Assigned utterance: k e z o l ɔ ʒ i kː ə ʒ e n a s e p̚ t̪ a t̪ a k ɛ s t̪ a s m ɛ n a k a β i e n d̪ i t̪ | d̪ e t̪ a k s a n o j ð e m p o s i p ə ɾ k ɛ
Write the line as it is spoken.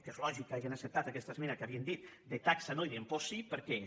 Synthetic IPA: k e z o l ɔ ʒ i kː a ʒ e n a s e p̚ t̪ a t̪ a k ɛ s t̪ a s m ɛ n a k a β i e n d̪ i t̪ | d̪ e t̪ a k s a n o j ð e m p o s i p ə ɾ k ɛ